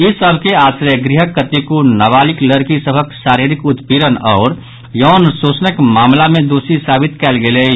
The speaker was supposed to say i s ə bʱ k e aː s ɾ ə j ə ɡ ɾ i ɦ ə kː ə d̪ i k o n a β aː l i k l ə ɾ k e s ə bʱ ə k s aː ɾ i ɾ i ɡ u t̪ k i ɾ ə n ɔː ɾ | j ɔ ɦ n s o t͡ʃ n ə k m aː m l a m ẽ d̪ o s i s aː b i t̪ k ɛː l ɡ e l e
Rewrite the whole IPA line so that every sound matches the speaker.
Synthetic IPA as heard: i s ə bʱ k e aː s ɾ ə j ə ɡ ɾ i ɦ ə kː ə t̪ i k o n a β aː l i k l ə ɾ k i s ə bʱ ə k s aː ɾ i ɾ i k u t̪ p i ɾ ə n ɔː ɾ | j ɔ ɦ n s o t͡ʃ n ə k m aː m l a m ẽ d̪ o s i s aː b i t̪ k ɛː l ɡ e l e